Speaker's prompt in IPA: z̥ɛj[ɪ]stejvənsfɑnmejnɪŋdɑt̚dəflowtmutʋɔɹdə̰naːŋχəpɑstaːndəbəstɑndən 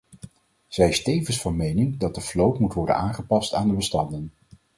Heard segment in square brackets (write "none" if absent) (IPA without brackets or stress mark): ɪ